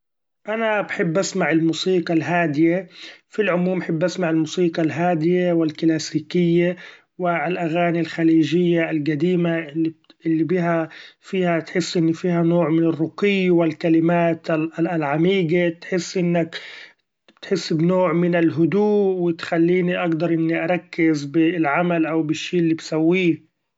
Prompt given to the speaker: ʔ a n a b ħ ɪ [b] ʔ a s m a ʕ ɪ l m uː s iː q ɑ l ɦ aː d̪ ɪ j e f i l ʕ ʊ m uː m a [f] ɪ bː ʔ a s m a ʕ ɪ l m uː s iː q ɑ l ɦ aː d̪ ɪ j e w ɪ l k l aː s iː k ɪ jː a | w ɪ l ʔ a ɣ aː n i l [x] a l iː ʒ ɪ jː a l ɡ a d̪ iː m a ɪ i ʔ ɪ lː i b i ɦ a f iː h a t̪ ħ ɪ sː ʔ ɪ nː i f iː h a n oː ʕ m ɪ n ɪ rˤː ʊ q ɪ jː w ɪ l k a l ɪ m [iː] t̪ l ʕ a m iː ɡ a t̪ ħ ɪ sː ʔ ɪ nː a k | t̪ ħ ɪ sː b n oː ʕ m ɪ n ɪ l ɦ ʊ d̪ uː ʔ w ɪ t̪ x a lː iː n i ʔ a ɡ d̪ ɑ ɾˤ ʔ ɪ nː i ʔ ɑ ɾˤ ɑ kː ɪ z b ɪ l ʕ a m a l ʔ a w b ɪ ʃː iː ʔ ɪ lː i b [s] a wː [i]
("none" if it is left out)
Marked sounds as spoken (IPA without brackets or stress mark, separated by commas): bː, ħ, x, aː, s, iː